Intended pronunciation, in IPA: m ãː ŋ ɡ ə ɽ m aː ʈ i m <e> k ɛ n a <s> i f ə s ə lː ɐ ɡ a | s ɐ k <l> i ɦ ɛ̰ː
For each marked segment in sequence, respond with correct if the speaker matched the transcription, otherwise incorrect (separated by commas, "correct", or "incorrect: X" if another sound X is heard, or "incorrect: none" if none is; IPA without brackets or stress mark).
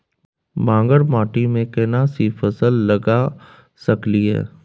incorrect: ẽ, correct, correct